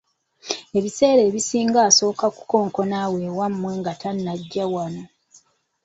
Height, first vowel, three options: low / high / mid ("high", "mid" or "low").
mid